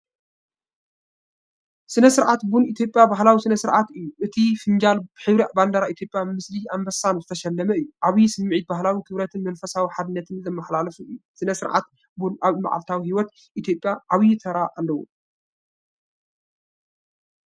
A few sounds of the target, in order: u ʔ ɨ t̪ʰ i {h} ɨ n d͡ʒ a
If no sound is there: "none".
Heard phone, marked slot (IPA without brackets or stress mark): f